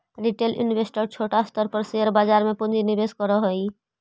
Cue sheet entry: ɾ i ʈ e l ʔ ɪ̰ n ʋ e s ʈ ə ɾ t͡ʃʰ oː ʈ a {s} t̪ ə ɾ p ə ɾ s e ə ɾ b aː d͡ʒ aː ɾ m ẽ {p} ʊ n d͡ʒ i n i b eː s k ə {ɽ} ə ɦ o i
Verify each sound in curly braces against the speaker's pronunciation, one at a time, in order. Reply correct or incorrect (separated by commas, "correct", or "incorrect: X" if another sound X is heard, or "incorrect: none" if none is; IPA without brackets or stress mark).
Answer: correct, correct, incorrect: ɾ